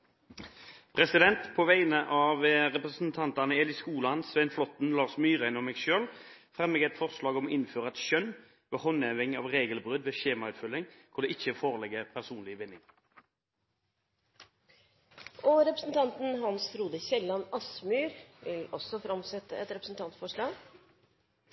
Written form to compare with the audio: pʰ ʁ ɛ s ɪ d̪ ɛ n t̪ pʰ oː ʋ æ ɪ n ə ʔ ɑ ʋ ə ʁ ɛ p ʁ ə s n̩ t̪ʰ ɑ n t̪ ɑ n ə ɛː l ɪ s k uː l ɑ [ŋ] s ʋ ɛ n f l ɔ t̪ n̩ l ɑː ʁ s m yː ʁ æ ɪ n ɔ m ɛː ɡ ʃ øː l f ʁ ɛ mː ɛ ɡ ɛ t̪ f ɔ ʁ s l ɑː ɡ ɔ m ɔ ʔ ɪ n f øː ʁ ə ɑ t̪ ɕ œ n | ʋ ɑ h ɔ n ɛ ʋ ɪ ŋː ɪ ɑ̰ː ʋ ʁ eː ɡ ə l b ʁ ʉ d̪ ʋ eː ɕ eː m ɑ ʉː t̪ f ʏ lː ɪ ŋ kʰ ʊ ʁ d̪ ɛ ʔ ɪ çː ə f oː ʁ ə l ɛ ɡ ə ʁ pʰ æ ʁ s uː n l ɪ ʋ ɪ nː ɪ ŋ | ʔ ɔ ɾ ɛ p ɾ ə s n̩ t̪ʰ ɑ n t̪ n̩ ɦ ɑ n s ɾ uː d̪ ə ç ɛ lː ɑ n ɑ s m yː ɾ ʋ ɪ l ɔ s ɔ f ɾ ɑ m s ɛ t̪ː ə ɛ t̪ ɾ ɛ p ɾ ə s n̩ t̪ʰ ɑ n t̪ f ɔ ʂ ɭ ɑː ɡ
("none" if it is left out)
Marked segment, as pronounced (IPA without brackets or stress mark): n